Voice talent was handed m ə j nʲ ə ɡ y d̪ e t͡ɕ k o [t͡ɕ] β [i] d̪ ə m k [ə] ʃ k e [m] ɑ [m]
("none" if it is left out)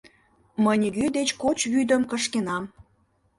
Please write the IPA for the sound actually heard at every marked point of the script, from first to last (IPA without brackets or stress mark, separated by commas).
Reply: t͡ɕ, y, ə, n, m